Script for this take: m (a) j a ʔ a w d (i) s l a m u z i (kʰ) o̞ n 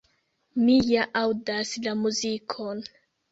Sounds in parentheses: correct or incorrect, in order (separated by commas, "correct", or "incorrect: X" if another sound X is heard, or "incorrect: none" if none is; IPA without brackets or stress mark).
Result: incorrect: i, incorrect: a, correct